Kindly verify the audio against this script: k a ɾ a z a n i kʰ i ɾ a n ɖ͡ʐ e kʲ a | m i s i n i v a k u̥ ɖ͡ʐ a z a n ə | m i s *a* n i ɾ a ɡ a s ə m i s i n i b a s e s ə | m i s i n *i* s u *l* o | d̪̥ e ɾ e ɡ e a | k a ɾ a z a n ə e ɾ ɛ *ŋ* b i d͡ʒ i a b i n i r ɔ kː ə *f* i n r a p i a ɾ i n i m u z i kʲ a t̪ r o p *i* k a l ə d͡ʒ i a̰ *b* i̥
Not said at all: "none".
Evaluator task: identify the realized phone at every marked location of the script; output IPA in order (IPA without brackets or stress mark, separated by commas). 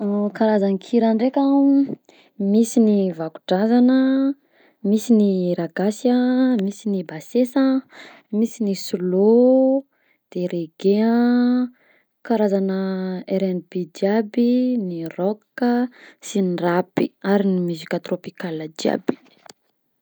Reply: i, i, l, n, s, i, b